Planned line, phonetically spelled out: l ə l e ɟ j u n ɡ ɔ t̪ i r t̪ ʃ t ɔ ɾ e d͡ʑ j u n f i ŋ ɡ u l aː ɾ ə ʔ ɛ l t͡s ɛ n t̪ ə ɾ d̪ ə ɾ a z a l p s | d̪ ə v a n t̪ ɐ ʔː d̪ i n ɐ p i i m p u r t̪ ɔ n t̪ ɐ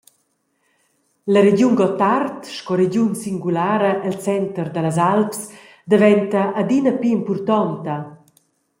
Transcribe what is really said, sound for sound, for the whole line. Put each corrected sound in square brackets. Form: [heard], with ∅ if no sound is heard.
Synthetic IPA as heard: l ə [ɾ] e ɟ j u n ɡ ɔ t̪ [a] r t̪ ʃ [k] ɔ ɾ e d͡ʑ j u n [s] i ŋ ɡ u l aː ɾ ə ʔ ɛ l t͡s ɛ n t̪ ə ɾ d̪ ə [l] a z a l p s | d̪ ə v [ɛ] n t̪ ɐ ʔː d̪ i n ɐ p i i m p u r t̪ ɔ n t̪ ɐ